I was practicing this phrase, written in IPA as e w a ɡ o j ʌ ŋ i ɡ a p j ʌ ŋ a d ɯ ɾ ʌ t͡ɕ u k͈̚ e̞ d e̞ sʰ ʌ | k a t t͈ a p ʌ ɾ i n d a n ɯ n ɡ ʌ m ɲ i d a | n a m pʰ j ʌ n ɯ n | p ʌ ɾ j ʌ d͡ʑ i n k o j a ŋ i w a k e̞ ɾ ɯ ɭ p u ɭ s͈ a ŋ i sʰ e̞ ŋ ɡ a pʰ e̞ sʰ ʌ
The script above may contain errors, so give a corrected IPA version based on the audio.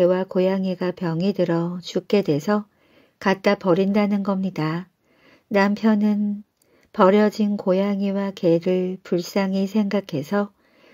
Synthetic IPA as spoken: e w a k o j a ŋ i ɡ a p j ʌ ŋ i d ɯ ɾ ʌ t͡ɕ u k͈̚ e̞ d e̞ sʰ ʌ | k a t t͈ a p ʌ ɾ i n d a n ɯ n ɡ ʌ m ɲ i d a | n a m pʰ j ʌ n ɯ n | p ʌ ɾ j ʌ d͡ʑ i n k o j a ŋ i w a k e̞ ɾ ɯ ɭ p u ɭ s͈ a ŋ i sʰ e̞ ŋ ɡ a kʰ e̞ sʰ ʌ

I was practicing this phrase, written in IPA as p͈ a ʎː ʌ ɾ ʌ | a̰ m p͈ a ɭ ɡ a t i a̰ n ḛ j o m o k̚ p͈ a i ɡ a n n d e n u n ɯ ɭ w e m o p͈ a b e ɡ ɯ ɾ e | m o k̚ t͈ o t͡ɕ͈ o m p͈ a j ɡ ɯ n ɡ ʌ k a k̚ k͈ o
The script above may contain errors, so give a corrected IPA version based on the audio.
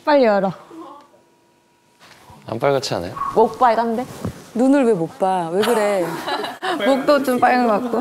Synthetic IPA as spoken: p͈ a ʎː ʌ ɾ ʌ | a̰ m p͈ a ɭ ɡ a t͡ɕʰ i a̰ n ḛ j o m o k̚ p͈ a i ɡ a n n d e n u n ɯ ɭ w e m o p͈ a w e ɡ ɯ ɾ e | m o k̚ t͈ o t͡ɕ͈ o m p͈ a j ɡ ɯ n ɡ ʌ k a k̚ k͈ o

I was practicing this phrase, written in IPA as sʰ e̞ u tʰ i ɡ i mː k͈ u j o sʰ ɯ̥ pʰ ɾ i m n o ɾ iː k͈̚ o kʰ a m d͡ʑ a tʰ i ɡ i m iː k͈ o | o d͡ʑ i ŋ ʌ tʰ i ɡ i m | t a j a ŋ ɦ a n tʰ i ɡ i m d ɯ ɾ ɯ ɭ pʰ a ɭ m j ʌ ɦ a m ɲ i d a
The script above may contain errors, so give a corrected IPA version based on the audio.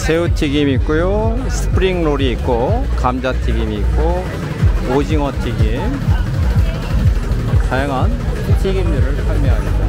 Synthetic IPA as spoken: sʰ e̞ u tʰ i ɡ i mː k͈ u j o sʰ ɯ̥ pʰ ɾ i ŋ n o ɾ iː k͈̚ o k a m d͡ʑ a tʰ i ɡ i m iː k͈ o | o d͡ʑ i ŋ ʌ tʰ i ɡ i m | t a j a ŋ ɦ a n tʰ i ɡ i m d ɯ ɾ ɯ ɭ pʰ a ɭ m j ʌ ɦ a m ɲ i d a

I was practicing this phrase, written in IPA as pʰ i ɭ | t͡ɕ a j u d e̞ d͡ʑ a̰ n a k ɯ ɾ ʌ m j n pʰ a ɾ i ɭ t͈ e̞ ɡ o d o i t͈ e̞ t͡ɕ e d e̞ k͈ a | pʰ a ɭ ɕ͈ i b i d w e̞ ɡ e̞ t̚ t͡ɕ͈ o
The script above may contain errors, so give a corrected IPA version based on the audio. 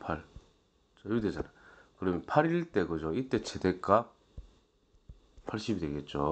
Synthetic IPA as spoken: pʰ a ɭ | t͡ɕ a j u d e̞ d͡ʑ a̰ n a k ɯ ɾ ʌ m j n pʰ a ɾ i ɭ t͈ e̞ ɡ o d͡ʑ o i t͈ e̞ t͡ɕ e d e̞ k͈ a | pʰ a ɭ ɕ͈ i b i d w e̞ ɡ e̞ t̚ t͡ɕ͈ o

